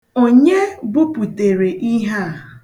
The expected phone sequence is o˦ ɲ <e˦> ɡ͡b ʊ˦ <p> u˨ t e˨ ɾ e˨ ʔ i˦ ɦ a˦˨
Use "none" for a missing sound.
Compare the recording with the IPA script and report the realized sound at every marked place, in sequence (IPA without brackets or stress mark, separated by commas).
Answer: e˦, p